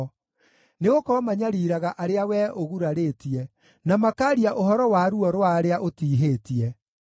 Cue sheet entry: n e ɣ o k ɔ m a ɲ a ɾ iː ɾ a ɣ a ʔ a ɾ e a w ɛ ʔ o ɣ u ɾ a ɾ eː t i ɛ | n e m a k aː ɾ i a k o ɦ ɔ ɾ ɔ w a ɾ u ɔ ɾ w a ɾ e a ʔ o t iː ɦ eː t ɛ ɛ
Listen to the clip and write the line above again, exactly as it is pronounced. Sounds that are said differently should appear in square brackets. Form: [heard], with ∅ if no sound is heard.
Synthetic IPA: n e ɣ o k ɔ m a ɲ a ɾ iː ɾ a ɣ a ʔ a ɾ e a w ɛ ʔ o ɣ u ɾ a ɾ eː t i ɛ | n [a] m a k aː ɾ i a [ʔ] o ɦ ɔ ɾ ɔ w a ɾ u ɔ ɾ w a ɾ e a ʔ o t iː ɦ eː t [i] ɛ